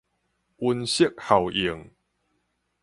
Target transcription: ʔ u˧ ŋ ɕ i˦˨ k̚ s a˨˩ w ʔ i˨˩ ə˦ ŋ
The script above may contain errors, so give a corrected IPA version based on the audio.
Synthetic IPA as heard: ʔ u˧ n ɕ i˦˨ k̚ h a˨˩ w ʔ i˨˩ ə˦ ŋ